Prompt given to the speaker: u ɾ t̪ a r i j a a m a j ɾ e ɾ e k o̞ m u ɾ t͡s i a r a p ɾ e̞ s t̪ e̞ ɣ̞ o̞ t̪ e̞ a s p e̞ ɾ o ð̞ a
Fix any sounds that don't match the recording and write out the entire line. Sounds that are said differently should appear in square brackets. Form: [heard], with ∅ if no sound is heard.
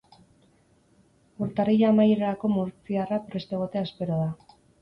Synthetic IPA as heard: u ɾ t̪ a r i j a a m a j ɾ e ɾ [a] k o̞ m u ɾ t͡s i a r a p ɾ e̞ s t̪ e̞ ɣ̞ o̞ t̪ e̞ a s p e̞ ɾ o ð̞ a